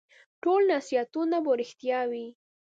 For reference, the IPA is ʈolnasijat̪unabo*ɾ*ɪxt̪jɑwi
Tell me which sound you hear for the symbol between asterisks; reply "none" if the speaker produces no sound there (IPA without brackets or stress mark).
ɾ